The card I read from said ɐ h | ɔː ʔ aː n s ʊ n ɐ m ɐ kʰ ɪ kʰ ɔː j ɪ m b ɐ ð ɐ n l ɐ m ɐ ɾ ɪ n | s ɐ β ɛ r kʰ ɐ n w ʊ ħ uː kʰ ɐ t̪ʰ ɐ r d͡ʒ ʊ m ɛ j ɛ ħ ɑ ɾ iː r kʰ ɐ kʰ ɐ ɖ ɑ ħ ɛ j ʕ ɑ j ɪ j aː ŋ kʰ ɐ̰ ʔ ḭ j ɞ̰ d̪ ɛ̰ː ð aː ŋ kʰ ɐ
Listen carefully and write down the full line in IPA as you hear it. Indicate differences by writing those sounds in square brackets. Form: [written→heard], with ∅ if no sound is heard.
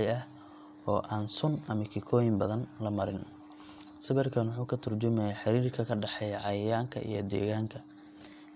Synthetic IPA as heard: ɐ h | ɔː ʔ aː n s ʊ n ɐ m ɐ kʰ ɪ kʰ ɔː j ɪ m b ɐ ð ɐ n l ɐ m ɐ ɾ ɪ n | s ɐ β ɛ r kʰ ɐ n w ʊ ħ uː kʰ ɐ t̪ʰ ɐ r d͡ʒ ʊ m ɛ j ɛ ħ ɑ ɾ iː r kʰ ɐ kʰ ɐ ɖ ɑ ħ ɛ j ʕ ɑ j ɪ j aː ŋ kʰ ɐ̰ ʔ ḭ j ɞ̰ d̪ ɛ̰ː [ð→ɣ] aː ŋ kʰ ɐ

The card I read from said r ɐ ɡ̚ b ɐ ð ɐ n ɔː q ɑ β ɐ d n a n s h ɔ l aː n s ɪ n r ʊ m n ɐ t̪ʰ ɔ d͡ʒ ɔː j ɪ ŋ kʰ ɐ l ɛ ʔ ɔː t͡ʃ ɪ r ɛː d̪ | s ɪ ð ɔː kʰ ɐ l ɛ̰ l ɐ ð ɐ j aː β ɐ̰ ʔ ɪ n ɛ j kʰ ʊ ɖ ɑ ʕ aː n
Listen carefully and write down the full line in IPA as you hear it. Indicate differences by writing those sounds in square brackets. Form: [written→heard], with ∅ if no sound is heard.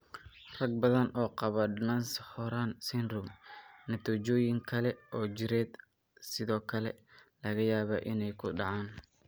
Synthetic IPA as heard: r ɐ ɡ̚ b ɐ ð ɐ n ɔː q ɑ β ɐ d n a n s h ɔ [l→ɾ] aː n s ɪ n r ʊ m n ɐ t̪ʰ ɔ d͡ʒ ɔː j ɪ ŋ kʰ ɐ l ɛ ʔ ɔː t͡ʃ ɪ [r→ɾ] ɛː d̪ | s ɪ ð ɔː kʰ ɐ l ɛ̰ l ɐ [ð→ɣ] ɐ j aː β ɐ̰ ʔ ɪ n ɛ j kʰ ʊ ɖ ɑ ʕ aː n

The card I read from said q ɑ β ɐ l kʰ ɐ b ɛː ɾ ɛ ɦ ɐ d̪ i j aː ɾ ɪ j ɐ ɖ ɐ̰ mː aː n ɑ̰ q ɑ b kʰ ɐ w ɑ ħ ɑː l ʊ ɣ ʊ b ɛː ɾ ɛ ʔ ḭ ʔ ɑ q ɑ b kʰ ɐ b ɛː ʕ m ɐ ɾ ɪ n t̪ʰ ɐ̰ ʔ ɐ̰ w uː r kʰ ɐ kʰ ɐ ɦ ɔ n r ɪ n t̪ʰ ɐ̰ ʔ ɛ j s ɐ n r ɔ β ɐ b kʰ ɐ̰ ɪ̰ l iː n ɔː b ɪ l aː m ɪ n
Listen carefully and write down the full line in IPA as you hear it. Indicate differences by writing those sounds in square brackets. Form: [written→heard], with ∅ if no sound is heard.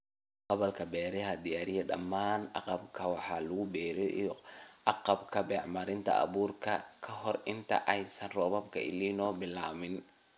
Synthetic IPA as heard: q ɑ β ɐ l kʰ ɐ b ɛː ɾ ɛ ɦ ɐ d̪ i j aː ɾ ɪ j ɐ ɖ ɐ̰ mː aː n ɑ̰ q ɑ b kʰ ɐ w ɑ ħ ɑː l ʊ ɣ ʊ b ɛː ɾ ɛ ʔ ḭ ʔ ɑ q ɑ b kʰ ɐ b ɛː ʕ m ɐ ɾ ɪ n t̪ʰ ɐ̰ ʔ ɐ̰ [w→β] uː r kʰ ɐ kʰ ɐ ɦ ɔ [n→∅] r ɪ n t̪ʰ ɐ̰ ʔ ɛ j s ɐ n r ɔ β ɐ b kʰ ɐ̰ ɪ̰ l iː n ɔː b ɪ l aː m ɪ n

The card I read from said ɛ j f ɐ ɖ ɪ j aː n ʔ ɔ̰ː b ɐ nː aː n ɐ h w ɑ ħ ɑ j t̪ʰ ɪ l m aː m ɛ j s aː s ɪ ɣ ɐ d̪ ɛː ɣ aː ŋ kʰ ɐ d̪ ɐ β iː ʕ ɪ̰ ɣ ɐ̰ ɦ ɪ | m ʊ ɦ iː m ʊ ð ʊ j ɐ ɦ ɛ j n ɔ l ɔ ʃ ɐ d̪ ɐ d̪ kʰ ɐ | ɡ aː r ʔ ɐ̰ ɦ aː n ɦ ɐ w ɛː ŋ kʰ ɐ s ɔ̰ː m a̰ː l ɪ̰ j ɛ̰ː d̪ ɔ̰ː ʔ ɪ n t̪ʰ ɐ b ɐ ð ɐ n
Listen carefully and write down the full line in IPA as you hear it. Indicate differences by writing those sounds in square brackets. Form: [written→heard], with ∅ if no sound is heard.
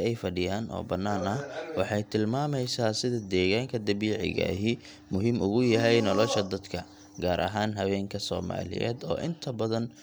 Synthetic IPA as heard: ɛ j f ɐ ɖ ɪ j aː n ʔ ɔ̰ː b ɐ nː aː n ɐ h w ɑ ħ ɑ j t̪ʰ ɪ l m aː m ɛ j s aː s ɪ [ɣ→ð] ɐ d̪ ɛː ɣ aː ŋ kʰ ɐ d̪ ɐ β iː ʕ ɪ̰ ɣ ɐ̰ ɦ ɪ | m ʊ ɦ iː m ʊ [ð→ɣ] ʊ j ɐ ɦ ɛ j n ɔ l ɔ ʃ ɐ d̪ ɐ d̪ kʰ ɐ | ɡ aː [r→ɾ] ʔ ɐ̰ ɦ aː n ɦ ɐ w ɛː ŋ kʰ ɐ s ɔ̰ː m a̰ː l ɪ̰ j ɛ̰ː d̪ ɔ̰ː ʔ ɪ n t̪ʰ ɐ b ɐ ð ɐ n

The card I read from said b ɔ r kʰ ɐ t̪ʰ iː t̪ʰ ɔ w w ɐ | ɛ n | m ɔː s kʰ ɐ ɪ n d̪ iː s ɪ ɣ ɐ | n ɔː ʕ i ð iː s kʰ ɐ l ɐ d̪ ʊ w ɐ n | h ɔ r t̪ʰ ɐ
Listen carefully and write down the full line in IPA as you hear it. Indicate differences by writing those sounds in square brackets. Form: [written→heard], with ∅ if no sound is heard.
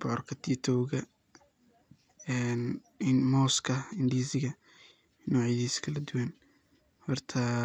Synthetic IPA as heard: b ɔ r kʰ ɐ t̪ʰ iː t̪ʰ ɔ w [w→ɣ] ɐ | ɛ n | m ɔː s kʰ ɐ ɪ n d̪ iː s ɪ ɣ ɐ | n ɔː ʕ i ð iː s kʰ ɐ l ɐ d̪ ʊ w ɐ n | h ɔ r t̪ʰ ɐ

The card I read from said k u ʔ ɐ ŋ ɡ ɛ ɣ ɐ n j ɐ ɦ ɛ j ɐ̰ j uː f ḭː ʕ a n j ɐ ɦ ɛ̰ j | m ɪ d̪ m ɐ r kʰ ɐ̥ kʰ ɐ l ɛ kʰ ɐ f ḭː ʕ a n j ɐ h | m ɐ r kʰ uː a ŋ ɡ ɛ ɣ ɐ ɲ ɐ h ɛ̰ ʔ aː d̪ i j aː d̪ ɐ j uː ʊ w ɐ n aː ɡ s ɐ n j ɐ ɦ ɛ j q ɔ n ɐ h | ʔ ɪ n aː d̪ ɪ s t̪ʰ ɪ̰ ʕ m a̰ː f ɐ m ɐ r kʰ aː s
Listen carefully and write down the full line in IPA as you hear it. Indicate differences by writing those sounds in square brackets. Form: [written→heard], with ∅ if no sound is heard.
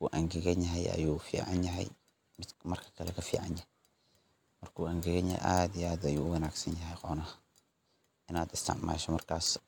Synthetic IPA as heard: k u ʔ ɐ ŋ ɡ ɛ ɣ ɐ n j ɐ ɦ ɛ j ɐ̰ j uː f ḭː ʕ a n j ɐ ɦ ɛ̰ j | m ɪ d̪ m ɐ r kʰ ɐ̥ kʰ ɐ l ɛ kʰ ɐ f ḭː ʕ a n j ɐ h | m ɐ r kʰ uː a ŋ ɡ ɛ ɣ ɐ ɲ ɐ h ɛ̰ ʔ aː d̪ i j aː d̪ ɐ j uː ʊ w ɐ n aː ɡ s ɐ n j ɐ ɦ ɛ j q ɔ n ɐ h | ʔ ɪ n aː d̪ ɪ s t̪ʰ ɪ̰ ʕ m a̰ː [f→ʃ] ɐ m ɐ r kʰ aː s

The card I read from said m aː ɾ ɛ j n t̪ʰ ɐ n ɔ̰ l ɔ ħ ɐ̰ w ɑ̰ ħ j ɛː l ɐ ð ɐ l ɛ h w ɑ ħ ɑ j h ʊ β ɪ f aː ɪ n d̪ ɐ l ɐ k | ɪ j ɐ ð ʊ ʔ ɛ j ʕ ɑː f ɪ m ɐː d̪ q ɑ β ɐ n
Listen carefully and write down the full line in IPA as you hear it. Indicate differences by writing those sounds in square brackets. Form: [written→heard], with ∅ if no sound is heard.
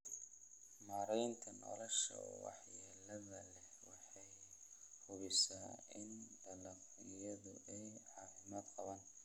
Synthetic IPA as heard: m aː ɾ ɛ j n t̪ʰ ɐ n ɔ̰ l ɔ [ħ→ʃ] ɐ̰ w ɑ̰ ħ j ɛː l ɐ ð ɐ l ɛ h w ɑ ħ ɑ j h ʊ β ɪ [f→s] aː ɪ n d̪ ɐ l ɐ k | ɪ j ɐ ð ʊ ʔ ɛ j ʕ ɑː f ɪ m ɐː d̪ q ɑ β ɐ n

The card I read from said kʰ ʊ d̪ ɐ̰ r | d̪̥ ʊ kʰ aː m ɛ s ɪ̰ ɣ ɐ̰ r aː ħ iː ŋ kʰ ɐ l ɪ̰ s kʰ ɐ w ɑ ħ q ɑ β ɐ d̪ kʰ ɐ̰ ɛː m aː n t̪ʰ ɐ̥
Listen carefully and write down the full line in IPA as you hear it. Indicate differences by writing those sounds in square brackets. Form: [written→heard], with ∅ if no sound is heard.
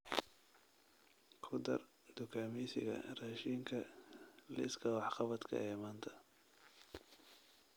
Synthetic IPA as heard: kʰ ʊ d̪ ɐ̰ r | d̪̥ ʊ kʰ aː m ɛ s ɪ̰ ɣ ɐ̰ r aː [ħ→ʃ] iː ŋ kʰ ɐ l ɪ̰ s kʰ ɐ w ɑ ħ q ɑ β ɐ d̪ kʰ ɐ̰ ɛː m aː n t̪ʰ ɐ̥

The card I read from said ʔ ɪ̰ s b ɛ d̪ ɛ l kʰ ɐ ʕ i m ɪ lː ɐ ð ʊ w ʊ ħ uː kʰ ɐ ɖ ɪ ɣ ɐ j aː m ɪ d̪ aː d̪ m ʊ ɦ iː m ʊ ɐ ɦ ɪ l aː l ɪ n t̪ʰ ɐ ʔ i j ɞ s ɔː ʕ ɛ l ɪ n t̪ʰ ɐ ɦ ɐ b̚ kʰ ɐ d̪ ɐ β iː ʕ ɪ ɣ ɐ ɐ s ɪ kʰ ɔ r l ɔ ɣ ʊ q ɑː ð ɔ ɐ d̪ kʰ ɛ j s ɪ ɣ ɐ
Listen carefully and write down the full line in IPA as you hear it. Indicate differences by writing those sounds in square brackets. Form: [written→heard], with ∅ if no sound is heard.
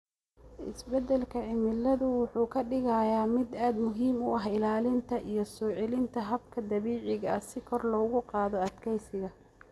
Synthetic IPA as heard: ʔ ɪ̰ s b ɛ d̪ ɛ l kʰ ɐ ʕ [i→ɪ] m ɪ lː ɐ ð ʊ w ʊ ħ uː kʰ ɐ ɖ ɪ ɣ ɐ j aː m ɪ d̪ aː d̪ m ʊ ɦ iː m ʊ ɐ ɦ ɪ l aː l ɪ n t̪ʰ ɐ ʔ i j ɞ s ɔː ʕ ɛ l ɪ n t̪ʰ ɐ ɦ ɐ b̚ kʰ ɐ d̪ ɐ β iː ʕ ɪ ɣ ɐ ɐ s ɪ kʰ ɔ r l [ɔ→ɔː] ɣ ʊ q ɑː ð ɔ ɐ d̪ kʰ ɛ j s ɪ ɣ ɐ

